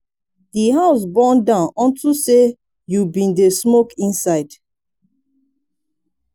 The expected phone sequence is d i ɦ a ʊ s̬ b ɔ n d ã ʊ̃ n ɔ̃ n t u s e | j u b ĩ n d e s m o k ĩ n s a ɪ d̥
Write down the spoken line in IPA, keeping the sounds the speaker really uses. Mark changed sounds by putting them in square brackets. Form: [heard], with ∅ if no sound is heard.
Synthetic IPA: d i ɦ a ʊ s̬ b ɔ n d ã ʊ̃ n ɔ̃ n t u s e | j u b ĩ n d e s m o k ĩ n s a ɪ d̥